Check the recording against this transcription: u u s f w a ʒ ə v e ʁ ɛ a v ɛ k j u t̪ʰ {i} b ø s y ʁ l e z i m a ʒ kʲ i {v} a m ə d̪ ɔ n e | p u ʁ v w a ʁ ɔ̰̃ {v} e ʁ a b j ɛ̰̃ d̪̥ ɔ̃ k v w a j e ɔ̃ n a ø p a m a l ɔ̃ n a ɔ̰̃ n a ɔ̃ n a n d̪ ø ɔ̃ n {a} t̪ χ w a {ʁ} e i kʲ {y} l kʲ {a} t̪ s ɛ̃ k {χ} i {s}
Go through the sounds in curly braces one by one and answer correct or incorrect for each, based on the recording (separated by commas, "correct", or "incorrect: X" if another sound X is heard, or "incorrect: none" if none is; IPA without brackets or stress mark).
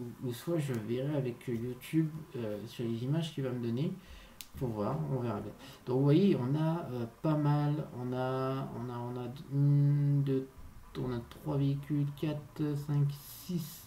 incorrect: y, correct, correct, correct, incorrect: v, correct, correct, incorrect: s, correct